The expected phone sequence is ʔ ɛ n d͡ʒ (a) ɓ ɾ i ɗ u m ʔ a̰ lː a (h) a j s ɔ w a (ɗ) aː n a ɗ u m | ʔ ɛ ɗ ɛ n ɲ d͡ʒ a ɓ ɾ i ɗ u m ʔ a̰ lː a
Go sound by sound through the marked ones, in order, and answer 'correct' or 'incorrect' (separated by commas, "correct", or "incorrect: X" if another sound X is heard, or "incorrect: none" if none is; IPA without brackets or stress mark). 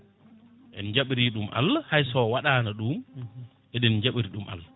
correct, correct, correct